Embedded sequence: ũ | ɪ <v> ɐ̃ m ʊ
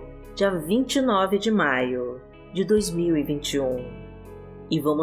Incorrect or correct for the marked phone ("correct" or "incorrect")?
correct